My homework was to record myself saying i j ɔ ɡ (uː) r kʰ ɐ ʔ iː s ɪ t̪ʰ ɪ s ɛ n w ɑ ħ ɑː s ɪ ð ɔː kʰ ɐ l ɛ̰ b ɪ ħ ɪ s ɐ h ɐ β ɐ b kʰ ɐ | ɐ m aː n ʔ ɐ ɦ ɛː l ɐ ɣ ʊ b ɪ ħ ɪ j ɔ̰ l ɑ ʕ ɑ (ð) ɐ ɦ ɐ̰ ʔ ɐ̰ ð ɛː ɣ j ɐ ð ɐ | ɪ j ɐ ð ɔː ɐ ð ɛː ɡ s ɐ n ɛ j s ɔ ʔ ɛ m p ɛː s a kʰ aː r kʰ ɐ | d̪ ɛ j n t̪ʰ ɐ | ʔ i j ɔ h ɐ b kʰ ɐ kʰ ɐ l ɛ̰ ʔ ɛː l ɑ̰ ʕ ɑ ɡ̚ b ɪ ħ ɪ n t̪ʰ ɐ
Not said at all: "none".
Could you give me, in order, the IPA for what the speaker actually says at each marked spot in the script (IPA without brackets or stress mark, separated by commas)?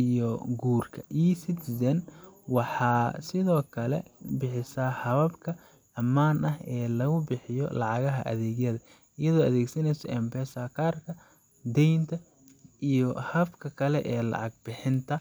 uː, ɣ